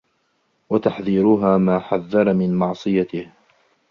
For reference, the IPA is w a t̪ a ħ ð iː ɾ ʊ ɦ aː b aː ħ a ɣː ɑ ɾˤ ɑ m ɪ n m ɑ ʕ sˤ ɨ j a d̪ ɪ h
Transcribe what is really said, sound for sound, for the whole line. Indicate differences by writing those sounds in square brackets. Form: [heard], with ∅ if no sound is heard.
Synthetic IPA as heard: w a t̪ a ħ ð iː ɾ ʊ ɦ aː [m] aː ħ a [ðː] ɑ ɾˤ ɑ m ɪ n m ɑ ʕ sˤ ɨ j a [t̪] ɪ h

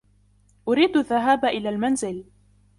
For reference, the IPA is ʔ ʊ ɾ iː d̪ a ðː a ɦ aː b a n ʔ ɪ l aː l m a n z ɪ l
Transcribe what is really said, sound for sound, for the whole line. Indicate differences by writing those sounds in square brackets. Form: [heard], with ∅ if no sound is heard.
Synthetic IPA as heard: ʔ ʊ ɾ iː d̪ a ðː a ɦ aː b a [∅] ʔ ɪ l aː l m a n z ɪ l

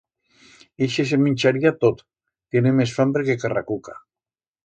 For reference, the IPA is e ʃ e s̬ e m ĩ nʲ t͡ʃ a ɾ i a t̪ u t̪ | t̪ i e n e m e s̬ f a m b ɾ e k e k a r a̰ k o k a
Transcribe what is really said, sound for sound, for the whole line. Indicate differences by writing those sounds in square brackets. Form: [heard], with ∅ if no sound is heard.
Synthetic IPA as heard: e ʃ e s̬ e m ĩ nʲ t͡ʃ a ɾ i a t̪ [o] t̪ | t̪ [j] e n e m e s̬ f a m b ɾ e k e k a r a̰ k [u] k a

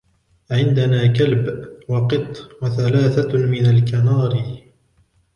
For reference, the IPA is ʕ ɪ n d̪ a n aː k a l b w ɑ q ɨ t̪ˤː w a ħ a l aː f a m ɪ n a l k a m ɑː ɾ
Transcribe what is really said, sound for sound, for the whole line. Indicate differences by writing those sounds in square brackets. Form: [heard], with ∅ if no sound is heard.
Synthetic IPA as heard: ʕ ɪ n d̪ a n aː k a l b w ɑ q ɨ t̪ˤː w a [θ] a l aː [θ] a m ɪ n a l k a [n] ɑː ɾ

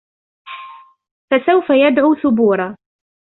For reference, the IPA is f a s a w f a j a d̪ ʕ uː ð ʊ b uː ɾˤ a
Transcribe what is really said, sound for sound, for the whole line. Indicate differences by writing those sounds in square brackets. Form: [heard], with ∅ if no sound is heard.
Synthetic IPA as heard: f a s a w f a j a d̪ ʕ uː [θ] ʊ b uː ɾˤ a

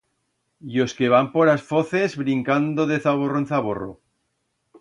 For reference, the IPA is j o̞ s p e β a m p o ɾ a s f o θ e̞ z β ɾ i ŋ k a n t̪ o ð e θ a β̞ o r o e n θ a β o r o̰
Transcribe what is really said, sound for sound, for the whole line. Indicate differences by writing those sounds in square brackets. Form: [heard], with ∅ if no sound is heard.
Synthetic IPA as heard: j o̞ s [k] e β a m p o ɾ a s f o θ e̞ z β ɾ i ŋ k a n [d̪] o ð e θ a β̞ o r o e n θ a β o r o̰

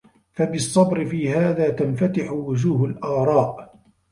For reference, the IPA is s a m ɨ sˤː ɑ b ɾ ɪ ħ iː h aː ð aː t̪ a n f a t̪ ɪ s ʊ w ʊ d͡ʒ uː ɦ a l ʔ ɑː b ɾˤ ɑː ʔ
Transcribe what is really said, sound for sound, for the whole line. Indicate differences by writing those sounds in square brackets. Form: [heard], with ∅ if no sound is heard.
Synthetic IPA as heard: [f] a [b] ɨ sˤː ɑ b ɾ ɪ [f] iː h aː ð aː t̪ a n f a t̪ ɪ [ħ] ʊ w ʊ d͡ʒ uː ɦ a l ʔ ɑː [∅] ɾˤ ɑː ʔ

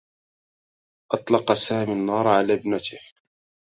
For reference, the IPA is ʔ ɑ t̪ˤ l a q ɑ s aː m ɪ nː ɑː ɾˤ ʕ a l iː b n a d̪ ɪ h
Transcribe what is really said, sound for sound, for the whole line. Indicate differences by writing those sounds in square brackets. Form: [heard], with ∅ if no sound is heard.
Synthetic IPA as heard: ʔ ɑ t̪ˤ l [ɑ] q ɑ s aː m [i] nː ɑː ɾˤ ʕ a l [aː] b n a [t̪] ɪ h

